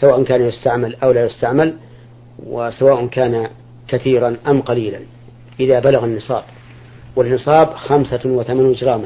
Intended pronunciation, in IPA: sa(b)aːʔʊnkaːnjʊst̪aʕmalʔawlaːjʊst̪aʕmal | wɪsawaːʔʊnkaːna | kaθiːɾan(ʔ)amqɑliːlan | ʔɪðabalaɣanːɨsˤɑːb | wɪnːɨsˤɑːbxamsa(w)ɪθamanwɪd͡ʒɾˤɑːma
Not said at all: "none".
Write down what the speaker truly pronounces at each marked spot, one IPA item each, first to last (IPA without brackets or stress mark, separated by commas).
w, ʔ, w